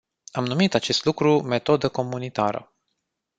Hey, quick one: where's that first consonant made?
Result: lips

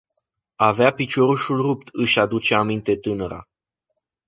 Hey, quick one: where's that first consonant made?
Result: lips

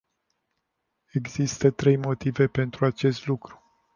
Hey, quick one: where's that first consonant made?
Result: velum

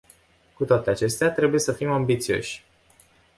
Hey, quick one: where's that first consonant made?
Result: velum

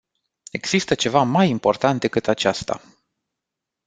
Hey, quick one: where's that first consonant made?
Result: velum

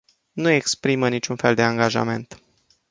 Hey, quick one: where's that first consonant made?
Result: tongue tip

